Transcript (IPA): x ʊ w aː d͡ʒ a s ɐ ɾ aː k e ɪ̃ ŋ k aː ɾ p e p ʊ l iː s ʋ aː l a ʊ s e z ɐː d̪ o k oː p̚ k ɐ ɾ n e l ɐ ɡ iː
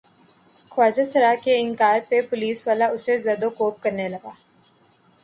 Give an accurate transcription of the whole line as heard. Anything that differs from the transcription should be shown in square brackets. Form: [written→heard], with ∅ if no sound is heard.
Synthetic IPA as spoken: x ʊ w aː d͡ʒ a s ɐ ɾ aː k e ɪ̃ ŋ k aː ɾ p e p ʊ l iː s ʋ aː l a ʊ s e z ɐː d̪ o k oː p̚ k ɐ ɾ n e l ɐ ɡ [iː→aː]